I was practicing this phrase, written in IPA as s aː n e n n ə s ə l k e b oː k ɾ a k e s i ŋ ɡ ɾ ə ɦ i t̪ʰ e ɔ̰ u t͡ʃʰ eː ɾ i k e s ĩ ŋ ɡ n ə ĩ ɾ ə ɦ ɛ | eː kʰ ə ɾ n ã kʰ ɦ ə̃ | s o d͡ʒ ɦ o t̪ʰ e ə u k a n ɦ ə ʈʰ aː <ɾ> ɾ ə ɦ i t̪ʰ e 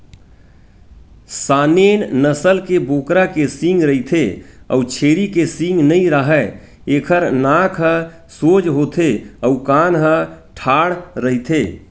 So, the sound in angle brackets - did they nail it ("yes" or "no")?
no